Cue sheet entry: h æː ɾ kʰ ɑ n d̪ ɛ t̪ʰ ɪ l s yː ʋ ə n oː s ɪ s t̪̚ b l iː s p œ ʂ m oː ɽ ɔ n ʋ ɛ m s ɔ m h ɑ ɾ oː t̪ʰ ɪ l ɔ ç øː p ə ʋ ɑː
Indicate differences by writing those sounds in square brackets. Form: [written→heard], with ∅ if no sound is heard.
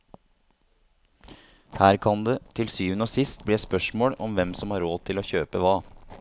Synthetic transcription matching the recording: h æː ɾ kʰ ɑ n d̪ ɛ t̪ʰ ɪ l s yː ʋ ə n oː s ɪ s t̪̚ b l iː s p œ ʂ m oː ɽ ɔ [n→m] ʋ ɛ m s ɔ m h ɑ ɾ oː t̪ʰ ɪ l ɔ ç øː p ə ʋ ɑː

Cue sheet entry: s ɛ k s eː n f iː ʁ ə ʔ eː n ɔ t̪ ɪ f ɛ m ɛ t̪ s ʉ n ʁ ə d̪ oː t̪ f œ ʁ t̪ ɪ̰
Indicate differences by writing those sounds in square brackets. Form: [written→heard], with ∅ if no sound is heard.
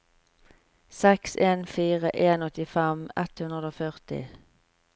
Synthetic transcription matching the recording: s ɛ k s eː n f iː ʁ ə ʔ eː n ɔ t̪ ɪ f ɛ m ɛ t̪ [s→h] ʉ n ʁ ə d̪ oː [t̪→∅] f œ ʁ t̪ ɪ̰

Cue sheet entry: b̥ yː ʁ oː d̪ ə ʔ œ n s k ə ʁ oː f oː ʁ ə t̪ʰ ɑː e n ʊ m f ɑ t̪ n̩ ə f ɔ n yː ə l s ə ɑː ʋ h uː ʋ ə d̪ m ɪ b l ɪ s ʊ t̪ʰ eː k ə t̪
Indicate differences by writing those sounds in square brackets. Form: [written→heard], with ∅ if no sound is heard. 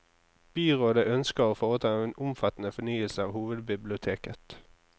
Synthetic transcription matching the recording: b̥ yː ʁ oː d̪ ə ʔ œ n s k ə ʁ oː f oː ʁ ə t̪ʰ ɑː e n ʊ m f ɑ t̪ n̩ ə f ɔ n yː ə l s ə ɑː ʋ h uː ʋ ə d̪ [m→b] ɪ b l ɪ [s→∅] ʊ t̪ʰ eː k ə t̪

